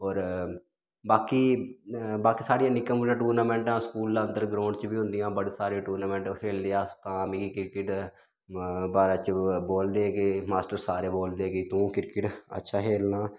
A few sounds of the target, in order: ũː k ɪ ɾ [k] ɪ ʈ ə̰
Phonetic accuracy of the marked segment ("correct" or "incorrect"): correct